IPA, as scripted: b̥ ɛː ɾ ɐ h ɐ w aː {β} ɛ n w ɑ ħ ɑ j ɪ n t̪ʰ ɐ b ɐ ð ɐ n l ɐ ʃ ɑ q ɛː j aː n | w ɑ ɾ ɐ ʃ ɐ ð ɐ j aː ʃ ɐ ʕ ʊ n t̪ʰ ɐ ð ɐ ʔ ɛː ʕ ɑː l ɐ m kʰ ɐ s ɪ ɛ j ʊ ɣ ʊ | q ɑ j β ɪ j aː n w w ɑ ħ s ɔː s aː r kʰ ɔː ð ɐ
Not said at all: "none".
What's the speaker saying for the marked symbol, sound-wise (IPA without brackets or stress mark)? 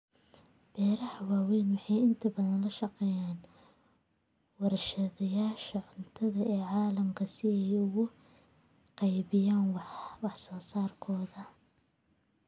w